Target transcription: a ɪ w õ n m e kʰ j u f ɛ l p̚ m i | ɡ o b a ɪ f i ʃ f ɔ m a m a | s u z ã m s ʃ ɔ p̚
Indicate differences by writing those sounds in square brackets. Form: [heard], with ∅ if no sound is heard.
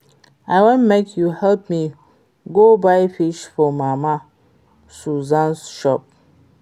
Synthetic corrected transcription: a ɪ w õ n m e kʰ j u [h] ɛ l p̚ m i | ɡ o b a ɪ f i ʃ f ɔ m a m a | s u z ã [n] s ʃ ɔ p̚